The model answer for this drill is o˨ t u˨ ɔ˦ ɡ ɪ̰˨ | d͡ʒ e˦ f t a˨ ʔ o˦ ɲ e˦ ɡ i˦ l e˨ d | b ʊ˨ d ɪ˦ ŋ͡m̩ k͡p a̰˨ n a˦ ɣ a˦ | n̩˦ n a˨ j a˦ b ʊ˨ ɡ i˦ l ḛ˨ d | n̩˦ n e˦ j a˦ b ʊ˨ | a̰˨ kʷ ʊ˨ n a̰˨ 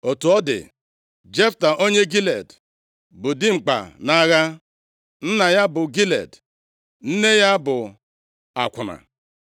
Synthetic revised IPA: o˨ t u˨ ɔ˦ d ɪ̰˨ | d͡ʒ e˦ f t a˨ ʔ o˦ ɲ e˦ ɡ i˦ l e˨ d | b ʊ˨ d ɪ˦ ŋ͡m̩ k͡p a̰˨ n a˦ ɣ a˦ | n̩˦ n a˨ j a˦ b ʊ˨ ɡ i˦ l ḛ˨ d | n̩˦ n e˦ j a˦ b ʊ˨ | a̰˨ kʷ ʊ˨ n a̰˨

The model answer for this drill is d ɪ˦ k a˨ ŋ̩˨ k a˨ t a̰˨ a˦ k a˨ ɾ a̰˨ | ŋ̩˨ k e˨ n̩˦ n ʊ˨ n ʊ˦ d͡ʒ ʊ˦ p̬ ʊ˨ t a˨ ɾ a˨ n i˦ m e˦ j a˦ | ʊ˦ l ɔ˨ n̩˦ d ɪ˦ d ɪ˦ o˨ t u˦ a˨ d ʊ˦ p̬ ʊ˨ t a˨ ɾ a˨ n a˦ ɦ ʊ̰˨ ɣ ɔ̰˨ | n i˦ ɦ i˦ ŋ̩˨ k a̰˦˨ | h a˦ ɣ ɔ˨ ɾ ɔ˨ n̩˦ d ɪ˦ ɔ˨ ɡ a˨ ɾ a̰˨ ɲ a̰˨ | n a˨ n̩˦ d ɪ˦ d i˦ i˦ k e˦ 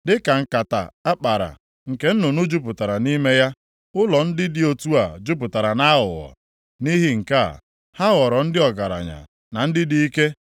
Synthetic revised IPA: d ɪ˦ k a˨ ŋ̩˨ k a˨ t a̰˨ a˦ k͡p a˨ ɾ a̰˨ | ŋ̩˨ k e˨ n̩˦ n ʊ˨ n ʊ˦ d͡ʒ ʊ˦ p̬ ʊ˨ t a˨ ɾ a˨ n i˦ m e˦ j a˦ | ʊ˦ l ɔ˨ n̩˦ d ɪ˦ d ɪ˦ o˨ t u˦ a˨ d͡ʒ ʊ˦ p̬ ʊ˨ t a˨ ɾ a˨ n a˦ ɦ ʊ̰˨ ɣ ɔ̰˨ | n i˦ ɦ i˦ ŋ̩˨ k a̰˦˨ | h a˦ ɣ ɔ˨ ɾ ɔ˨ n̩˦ d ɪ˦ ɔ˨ ɡ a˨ ɾ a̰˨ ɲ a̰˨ | n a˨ n̩˦ d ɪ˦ d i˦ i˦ k e˦

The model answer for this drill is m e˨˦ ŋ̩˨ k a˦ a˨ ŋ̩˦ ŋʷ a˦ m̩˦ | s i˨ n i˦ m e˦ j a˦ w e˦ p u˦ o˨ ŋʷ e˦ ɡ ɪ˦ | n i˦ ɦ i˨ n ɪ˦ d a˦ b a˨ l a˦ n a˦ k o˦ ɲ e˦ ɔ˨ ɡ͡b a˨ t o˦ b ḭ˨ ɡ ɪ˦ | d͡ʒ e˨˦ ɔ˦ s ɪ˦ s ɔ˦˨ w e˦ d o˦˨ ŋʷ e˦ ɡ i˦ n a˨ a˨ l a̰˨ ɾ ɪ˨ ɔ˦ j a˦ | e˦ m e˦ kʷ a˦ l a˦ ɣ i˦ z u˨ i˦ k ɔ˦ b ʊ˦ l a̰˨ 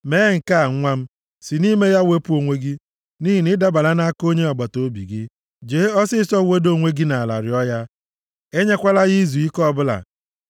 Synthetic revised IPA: m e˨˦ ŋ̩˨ k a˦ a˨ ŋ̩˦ ŋʷ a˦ m̩˦ | s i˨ n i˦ m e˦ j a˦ w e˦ p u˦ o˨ ŋʷ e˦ ɡ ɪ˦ | n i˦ ɦ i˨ n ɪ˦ d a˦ b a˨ l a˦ n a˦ k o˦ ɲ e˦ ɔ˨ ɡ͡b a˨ t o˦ b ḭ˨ ɡ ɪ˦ | d͡ʒ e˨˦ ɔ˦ s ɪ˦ s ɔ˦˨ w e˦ d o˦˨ ŋʷ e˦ ɡ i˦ n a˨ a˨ l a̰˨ ɾ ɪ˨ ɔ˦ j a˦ | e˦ ɲ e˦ kʷ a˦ l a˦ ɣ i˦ z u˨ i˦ k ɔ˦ b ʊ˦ l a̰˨

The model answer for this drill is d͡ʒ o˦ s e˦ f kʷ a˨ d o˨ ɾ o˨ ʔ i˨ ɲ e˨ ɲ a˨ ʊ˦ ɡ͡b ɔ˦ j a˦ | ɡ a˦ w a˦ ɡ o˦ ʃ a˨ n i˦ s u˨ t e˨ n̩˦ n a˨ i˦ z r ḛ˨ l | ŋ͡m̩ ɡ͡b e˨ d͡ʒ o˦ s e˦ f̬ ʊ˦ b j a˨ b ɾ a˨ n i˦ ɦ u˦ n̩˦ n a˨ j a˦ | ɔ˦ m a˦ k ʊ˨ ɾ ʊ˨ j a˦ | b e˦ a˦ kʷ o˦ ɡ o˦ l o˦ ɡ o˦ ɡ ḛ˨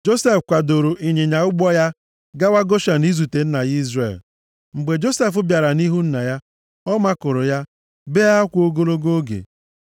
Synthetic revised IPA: d͡ʒ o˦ s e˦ f kʷ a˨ d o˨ ɾ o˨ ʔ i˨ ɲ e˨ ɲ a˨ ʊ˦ ɡ͡b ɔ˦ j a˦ | ɡ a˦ w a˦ ɡ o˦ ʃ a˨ n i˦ z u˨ t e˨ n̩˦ n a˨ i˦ z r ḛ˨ l | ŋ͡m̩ ɡ͡b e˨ d͡ʒ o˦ s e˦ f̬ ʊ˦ b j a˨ ɾ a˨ n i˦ ɦ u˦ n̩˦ n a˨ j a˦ | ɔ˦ m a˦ k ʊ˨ ɾ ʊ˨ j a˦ | b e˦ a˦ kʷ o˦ ɡ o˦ l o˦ ɡ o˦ ɡ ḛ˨

